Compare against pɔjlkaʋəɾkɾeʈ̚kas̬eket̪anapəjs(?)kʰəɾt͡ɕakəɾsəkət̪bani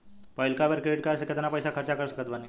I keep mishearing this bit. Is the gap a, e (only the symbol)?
a